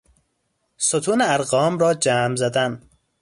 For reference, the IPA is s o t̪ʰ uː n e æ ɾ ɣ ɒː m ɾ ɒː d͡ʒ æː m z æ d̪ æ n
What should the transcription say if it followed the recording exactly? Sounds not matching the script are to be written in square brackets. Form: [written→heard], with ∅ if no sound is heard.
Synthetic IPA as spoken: s o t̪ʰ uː n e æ ɾ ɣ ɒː m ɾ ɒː d͡ʒ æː m z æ d̪ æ n